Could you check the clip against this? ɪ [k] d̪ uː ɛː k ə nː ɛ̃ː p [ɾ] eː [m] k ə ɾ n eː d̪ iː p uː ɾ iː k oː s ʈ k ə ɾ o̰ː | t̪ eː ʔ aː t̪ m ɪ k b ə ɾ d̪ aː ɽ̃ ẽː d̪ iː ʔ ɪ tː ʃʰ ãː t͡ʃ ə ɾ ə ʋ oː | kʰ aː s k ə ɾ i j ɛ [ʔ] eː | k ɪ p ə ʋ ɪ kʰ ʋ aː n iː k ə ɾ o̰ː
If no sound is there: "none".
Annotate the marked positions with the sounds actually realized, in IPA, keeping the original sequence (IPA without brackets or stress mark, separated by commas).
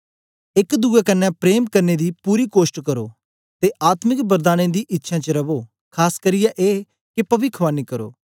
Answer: k, ɾ, m, ʔ